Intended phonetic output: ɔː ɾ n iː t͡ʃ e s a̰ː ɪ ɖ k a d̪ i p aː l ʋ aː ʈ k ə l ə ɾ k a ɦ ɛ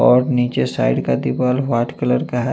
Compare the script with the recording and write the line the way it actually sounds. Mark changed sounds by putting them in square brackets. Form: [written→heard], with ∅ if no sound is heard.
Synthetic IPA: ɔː ɾ n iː t͡ʃ e s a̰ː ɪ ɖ k a d̪ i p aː l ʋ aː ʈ k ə l ə ɾ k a ɦ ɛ